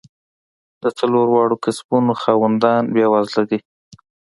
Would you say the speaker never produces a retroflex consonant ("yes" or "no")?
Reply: no